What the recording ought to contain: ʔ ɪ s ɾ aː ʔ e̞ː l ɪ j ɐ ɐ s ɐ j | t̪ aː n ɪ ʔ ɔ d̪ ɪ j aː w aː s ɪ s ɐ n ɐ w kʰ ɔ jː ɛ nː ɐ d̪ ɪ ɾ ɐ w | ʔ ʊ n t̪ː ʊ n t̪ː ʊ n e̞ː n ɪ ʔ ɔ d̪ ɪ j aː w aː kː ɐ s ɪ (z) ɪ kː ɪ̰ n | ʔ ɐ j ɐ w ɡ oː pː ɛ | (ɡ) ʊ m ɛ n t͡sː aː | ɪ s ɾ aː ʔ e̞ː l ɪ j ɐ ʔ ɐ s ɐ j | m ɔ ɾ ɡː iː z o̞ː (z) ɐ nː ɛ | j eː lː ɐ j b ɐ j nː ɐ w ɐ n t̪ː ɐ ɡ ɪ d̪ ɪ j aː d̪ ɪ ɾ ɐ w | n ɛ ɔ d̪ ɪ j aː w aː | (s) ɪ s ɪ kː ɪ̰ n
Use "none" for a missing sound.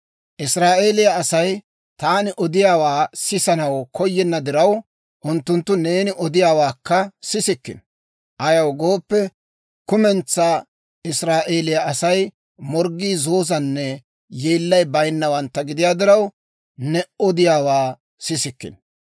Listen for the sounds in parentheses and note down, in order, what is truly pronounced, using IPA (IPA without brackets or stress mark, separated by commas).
s, k, z, s